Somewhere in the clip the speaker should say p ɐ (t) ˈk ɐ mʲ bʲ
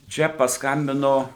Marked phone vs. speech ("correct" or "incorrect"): incorrect